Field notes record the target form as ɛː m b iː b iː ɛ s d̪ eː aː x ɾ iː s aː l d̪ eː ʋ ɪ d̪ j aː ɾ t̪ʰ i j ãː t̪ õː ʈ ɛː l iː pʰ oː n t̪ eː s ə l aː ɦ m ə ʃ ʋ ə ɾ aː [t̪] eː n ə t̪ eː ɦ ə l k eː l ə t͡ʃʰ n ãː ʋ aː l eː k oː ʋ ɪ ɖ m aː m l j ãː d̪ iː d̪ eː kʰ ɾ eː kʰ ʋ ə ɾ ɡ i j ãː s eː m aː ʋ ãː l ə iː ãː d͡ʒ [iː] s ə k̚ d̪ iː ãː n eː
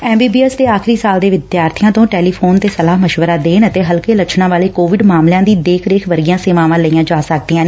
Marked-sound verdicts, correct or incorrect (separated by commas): incorrect, incorrect